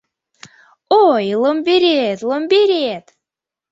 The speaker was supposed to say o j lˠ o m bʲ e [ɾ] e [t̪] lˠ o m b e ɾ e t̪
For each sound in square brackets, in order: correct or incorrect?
correct, correct

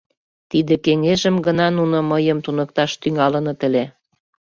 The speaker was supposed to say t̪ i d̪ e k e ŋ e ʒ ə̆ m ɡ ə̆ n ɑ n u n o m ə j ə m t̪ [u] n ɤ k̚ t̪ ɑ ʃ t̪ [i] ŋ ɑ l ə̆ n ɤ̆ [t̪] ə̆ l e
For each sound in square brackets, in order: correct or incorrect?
correct, incorrect: y, correct

